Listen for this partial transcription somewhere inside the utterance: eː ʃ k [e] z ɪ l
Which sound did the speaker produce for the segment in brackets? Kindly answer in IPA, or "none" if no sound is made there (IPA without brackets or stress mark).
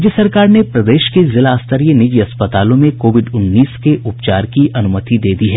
e